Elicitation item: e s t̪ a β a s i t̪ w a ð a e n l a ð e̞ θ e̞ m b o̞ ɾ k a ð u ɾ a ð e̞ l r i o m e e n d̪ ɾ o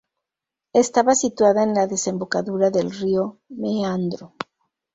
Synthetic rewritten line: e s t̪ a β a s i t̪ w a ð a e n l a ð e̞ s e̞ m b o̞ k a ð u ɾ a ð e̞ l r i o m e a n d̪ ɾ o